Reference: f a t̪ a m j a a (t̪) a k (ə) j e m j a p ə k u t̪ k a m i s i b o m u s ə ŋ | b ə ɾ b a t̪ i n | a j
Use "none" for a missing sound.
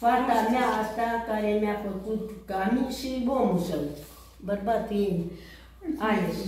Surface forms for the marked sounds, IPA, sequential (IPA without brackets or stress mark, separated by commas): t̪, a